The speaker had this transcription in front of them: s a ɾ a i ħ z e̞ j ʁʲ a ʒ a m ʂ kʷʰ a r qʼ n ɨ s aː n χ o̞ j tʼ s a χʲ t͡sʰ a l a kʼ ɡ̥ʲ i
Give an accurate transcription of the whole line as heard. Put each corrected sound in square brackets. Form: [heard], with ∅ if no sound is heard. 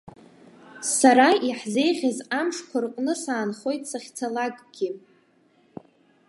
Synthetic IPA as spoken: s a ɾ a i ħ z e̞ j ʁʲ a [z] a m ʂ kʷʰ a r qʼ n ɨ s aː n χ o̞ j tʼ s a χʲ t͡sʰ a l a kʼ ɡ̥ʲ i